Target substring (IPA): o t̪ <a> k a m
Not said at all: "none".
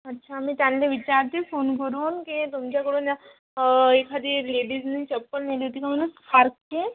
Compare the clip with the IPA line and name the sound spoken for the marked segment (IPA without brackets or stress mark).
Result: i